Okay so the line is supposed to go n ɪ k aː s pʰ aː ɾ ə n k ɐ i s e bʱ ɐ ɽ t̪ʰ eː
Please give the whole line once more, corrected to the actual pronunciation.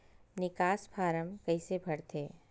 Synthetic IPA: n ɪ k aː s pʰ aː ɾ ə m k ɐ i s e bʱ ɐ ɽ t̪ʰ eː